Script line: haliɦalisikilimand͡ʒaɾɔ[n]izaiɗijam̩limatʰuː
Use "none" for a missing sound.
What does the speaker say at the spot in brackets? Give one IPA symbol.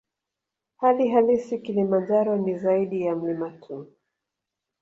n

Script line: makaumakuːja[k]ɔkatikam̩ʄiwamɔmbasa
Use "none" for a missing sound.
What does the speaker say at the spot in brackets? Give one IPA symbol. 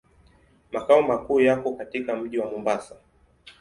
k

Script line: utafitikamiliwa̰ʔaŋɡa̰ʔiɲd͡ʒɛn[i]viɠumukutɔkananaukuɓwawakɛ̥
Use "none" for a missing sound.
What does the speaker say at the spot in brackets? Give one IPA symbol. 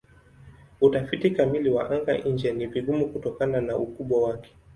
i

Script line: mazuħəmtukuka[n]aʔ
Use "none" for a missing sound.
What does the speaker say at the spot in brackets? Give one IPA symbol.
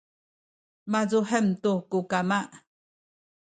m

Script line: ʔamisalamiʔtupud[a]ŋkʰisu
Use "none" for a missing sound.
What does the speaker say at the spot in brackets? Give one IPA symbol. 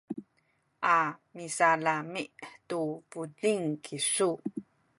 i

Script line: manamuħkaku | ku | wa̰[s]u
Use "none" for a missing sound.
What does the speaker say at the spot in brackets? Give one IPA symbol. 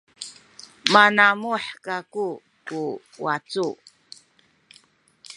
t͡s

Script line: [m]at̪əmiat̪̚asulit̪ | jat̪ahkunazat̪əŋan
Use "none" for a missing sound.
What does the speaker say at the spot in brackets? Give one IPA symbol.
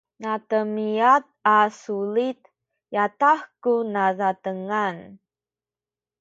n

